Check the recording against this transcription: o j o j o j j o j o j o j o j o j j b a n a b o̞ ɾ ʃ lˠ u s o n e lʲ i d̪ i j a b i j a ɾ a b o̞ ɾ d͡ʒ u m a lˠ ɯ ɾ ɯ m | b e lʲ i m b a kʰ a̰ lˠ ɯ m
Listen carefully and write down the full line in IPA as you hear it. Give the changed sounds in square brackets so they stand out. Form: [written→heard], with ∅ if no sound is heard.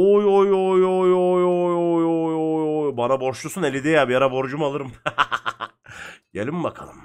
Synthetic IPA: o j o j o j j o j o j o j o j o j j b a n a b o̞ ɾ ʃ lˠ u s [o→u] n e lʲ i d̪ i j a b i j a ɾ a b o̞ ɾ d͡ʒ u m a lˠ ɯ ɾ ɯ m | [b→ɟ] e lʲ i m b a kʰ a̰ lˠ ɯ m

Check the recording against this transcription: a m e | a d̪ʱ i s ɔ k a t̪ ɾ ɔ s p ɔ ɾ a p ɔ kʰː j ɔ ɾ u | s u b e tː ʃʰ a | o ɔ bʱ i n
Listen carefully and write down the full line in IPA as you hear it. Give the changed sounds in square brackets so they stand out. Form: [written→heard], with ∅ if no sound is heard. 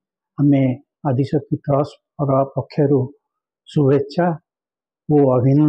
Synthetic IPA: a m e | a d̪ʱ i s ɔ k [a→i] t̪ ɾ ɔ s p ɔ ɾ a p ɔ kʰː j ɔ ɾ u | s u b e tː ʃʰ a | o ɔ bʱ i n

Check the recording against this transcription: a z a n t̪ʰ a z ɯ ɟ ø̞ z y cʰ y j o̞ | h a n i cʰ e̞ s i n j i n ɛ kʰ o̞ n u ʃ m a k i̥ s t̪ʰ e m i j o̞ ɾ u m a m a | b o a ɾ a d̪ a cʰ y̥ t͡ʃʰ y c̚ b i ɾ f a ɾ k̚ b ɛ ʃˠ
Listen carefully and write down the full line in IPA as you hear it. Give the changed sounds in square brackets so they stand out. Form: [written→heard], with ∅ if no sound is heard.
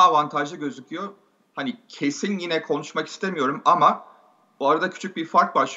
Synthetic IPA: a [z→v] a n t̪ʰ a [z→ʒ] ɯ ɟ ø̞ z y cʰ y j o̞ | h a n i cʰ e̞ s i n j i n ɛ kʰ o̞ n u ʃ m a k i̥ s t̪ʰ e m i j o̞ ɾ u m a m a | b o a ɾ a d̪ a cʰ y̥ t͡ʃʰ y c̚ b i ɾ f a ɾ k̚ b [ɛ→a] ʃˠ

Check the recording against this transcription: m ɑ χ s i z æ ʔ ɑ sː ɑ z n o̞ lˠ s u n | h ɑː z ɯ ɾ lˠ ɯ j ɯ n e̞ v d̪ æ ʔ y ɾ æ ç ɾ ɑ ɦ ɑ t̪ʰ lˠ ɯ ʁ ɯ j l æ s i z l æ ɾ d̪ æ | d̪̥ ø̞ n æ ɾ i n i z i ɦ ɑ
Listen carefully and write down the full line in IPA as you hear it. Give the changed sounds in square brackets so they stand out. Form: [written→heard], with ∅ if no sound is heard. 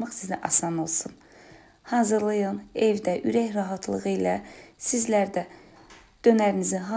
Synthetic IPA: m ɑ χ s i z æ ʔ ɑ [sː→s] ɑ [z→∅] n o̞ lˠ s u n | h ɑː z ɯ ɾ lˠ ɯ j ɯ n e̞ v d̪ æ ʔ y ɾ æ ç ɾ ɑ ɦ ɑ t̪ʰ lˠ ɯ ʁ ɯ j l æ s i z l æ ɾ d̪ æ | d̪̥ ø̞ n æ ɾ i n i z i ɦ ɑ

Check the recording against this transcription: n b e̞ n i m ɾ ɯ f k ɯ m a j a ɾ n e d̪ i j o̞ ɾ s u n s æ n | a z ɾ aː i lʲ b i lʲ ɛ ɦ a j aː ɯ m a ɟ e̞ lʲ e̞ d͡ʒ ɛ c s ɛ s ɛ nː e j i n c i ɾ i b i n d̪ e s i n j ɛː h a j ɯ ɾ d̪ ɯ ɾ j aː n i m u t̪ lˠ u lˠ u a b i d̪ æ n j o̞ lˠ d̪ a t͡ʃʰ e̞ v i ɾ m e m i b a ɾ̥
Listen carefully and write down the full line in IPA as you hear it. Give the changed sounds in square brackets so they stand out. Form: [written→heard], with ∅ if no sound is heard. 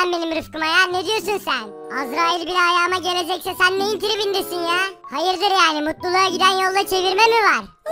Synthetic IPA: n b e̞ n i m ɾ ɯ f k ɯ m a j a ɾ n e d̪ i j o̞ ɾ s u n s æ n | a z ɾ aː i lʲ b i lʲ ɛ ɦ a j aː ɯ m a ɟ e̞ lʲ e̞ d͡ʒ ɛ c s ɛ s [ɛ→æ] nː e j i n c i ɾ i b i n d̪ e s i n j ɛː h a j ɯ ɾ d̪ ɯ ɾ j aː n i m u t̪ lˠ u lˠ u a [b→ɟ] i d̪ æ n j o̞ lˠ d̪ a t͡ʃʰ e̞ v i ɾ m e m i [b→v] a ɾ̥

